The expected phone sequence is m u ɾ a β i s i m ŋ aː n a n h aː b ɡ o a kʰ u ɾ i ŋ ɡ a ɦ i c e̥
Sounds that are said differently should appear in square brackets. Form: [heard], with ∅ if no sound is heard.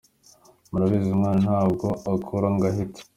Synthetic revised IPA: m u ɾ a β i [z] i m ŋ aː n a n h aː b ɡ o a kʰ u ɾ [a] ŋ ɡ a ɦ i [t] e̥